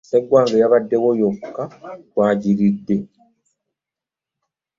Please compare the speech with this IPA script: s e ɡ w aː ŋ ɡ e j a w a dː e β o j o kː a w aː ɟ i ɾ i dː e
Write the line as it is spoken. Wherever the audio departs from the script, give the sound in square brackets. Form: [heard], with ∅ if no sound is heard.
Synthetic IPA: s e ɡ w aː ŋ ɡ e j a [β] a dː e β o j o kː a w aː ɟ i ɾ i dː e